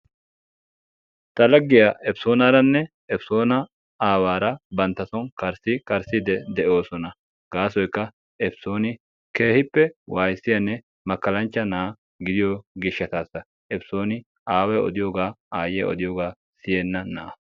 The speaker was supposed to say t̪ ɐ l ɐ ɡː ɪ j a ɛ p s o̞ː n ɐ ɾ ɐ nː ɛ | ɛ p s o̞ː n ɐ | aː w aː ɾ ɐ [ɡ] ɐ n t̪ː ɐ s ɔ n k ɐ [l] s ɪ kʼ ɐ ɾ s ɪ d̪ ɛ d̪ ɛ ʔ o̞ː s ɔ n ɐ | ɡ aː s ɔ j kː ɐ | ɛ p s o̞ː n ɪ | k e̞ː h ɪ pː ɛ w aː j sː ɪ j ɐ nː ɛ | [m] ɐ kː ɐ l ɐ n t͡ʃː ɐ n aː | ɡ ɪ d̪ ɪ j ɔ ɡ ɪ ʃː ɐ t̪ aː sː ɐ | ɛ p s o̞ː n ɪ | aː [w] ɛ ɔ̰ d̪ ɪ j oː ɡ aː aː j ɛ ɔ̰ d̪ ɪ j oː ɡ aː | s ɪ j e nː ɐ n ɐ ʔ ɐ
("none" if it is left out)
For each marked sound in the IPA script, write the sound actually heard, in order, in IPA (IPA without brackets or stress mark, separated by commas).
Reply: b, ɾ, m, w